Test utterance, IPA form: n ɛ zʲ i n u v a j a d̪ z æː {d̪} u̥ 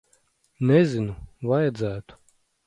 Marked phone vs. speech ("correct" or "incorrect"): incorrect